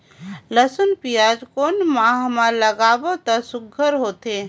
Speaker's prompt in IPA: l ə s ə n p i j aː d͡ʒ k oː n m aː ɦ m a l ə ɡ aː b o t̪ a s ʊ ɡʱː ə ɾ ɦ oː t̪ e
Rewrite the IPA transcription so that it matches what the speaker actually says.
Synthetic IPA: l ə s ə n p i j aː d͡ʒ k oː n m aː ɦ m a l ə ɡ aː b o t̪ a s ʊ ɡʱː ə ɾ ɦ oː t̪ e